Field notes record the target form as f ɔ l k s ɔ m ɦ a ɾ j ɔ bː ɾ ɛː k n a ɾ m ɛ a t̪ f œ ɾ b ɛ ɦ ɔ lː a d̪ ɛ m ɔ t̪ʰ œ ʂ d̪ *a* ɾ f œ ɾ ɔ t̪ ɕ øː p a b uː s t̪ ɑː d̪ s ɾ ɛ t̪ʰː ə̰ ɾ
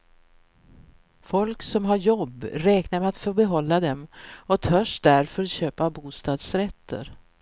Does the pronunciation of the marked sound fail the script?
yes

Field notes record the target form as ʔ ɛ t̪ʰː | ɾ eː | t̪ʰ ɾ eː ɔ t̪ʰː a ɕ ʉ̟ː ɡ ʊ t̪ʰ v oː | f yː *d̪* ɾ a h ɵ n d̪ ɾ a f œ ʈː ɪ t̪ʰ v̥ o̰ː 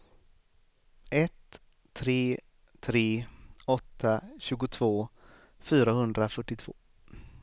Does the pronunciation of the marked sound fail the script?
yes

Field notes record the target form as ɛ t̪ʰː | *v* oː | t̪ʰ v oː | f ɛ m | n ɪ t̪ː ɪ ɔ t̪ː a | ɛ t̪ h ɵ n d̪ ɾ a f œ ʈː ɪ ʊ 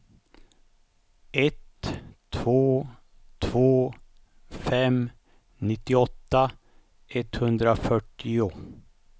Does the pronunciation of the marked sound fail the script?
no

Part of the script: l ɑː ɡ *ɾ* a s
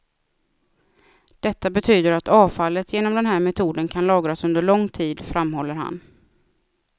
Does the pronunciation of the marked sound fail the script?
no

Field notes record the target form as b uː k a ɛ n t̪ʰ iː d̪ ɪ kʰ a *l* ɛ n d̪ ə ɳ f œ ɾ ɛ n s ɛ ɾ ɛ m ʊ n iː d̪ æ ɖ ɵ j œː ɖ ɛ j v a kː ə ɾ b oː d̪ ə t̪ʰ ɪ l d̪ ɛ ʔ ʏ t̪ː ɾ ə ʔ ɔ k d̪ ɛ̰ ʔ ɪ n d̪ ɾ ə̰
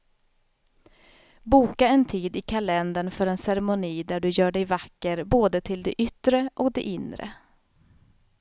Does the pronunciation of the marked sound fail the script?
no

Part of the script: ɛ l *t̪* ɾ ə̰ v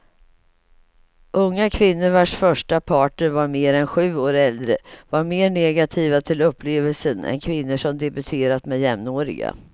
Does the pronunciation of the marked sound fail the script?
yes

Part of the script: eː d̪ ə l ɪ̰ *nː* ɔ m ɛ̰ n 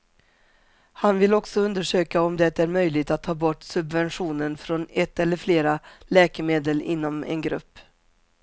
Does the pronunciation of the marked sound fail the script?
no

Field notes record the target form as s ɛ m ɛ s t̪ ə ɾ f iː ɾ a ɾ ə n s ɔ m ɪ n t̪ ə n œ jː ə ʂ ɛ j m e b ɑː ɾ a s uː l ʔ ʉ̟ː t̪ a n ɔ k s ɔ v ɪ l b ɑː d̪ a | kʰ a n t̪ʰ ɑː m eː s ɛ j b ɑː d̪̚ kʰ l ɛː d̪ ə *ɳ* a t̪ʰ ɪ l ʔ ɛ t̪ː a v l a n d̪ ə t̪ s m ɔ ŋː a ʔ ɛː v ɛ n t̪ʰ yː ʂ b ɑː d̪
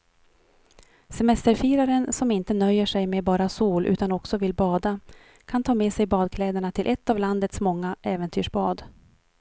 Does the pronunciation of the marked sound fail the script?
no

